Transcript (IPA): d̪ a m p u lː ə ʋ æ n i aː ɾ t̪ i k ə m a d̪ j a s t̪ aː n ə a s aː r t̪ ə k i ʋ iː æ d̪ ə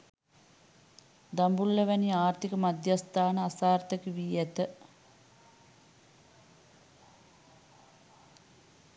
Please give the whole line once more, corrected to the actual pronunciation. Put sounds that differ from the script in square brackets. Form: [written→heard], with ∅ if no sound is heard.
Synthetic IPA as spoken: d̪ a m [p→b] u lː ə ʋ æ n i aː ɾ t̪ i k ə m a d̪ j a s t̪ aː n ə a s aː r t̪ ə k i ʋ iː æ [d̪→t̪] ə